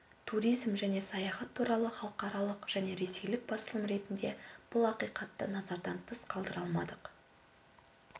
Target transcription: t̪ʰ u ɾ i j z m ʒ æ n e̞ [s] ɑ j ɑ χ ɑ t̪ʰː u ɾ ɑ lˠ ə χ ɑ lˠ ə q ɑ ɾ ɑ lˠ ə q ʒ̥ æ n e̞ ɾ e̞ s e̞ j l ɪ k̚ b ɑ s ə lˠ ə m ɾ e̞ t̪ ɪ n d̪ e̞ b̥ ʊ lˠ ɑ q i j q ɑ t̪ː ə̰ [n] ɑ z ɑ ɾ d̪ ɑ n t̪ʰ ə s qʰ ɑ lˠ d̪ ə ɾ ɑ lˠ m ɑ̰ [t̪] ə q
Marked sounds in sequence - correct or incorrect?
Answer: correct, correct, incorrect

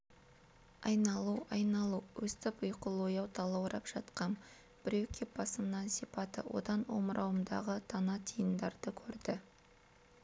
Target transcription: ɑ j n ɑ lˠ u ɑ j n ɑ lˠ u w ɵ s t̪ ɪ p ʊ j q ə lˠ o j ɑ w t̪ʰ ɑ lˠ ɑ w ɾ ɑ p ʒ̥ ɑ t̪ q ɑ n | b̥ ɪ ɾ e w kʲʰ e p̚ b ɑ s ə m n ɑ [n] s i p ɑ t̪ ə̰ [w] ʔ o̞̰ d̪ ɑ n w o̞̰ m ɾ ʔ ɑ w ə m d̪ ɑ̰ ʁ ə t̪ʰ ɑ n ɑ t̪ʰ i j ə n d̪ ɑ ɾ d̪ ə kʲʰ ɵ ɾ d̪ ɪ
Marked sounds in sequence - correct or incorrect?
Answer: correct, correct

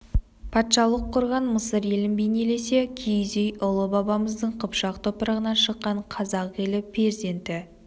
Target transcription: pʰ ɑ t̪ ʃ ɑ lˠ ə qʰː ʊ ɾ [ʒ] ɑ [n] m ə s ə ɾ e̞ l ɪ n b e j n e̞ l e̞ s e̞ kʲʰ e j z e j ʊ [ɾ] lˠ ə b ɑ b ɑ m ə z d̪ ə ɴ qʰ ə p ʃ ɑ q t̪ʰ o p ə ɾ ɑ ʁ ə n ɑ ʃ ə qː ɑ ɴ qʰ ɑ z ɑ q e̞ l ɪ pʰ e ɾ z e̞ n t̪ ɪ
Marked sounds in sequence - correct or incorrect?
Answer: incorrect, correct, incorrect

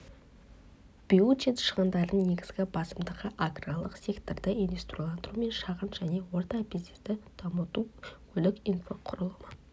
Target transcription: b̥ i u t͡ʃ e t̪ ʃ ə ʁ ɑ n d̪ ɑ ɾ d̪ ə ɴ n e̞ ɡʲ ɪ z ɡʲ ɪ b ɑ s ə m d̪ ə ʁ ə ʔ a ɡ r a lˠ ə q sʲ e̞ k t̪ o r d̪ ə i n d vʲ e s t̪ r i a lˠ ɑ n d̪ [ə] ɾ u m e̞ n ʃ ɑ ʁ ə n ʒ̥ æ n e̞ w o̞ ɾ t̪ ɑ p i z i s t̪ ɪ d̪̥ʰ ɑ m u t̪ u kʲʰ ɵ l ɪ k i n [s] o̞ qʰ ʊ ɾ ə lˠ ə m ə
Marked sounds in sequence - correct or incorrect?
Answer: correct, incorrect

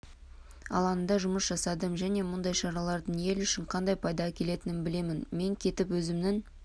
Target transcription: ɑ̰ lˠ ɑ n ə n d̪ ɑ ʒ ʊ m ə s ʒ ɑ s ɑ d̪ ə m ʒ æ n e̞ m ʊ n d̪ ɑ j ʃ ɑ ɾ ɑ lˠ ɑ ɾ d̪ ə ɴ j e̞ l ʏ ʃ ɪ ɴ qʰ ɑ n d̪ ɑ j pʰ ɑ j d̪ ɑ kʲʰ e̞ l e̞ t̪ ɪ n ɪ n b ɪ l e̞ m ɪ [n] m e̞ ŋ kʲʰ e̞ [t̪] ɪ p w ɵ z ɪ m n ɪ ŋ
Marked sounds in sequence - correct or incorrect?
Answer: correct, correct

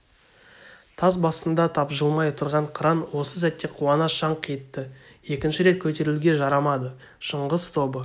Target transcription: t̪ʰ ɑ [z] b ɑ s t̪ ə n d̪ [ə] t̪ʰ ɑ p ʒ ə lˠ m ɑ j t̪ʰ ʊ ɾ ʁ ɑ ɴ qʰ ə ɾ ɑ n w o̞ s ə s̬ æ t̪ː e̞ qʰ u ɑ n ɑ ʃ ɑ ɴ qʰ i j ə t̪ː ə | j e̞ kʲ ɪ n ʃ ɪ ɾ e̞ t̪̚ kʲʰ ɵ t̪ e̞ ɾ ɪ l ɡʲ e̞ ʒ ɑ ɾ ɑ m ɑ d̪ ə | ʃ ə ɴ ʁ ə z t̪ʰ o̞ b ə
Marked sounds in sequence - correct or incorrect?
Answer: correct, incorrect

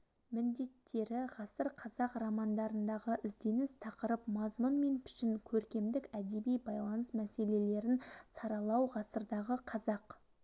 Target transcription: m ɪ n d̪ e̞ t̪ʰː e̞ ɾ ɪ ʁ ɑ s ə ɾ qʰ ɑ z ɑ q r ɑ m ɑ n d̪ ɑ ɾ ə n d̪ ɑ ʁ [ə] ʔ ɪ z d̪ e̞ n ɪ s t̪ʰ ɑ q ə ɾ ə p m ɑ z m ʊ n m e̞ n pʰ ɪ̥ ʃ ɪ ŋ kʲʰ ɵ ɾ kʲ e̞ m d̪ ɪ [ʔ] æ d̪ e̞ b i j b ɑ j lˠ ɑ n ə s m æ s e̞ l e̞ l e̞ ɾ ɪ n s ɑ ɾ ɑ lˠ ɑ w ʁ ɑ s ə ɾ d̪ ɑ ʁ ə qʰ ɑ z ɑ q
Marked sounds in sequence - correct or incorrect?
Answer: correct, incorrect

